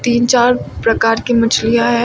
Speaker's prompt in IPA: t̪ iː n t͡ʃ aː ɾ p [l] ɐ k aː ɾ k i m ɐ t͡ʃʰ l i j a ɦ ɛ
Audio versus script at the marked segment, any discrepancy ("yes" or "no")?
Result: yes